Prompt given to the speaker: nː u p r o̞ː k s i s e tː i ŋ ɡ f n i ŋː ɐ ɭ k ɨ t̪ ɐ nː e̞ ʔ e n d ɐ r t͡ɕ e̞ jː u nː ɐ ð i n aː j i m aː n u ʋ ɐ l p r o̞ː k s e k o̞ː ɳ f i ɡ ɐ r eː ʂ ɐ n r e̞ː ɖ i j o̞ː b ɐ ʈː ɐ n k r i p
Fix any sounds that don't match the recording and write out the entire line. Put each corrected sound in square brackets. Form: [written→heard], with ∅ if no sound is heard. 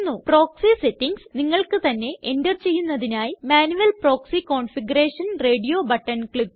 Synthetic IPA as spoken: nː u p r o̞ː k s i s e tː i ŋ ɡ [f→s] n i ŋː ɐ ɭ k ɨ t̪ ɐ nː e̞ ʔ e n d ɐ r t͡ɕ e̞ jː u nː ɐ ð i n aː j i m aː n u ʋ ɐ l p r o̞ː k s [e→i] k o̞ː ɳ f i ɡ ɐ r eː ʂ ɐ n r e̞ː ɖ i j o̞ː b ɐ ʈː ɐ n k [r→ɭ] i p